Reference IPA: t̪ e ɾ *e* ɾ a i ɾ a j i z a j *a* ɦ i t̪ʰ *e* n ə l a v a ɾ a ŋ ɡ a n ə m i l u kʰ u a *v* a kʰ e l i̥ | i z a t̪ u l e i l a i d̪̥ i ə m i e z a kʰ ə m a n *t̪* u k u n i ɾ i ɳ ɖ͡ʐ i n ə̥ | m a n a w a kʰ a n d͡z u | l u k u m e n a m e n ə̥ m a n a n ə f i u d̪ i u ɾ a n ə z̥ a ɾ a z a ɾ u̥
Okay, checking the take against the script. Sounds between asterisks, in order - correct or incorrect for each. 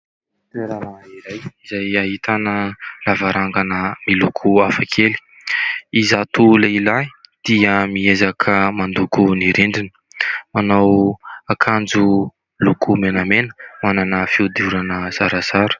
incorrect: a, correct, incorrect: a, incorrect: f, incorrect: d̪

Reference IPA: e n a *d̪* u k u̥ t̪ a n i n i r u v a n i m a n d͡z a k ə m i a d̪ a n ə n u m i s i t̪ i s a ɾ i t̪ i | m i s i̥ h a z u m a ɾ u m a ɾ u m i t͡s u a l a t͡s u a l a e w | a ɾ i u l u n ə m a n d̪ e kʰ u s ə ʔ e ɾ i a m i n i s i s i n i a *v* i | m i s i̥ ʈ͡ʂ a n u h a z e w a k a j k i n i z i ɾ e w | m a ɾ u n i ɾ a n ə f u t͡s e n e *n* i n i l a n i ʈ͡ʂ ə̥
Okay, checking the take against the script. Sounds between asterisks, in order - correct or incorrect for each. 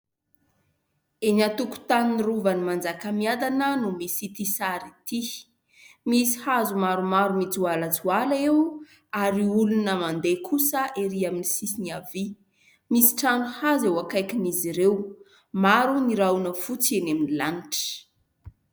incorrect: t̪, correct, incorrect: m

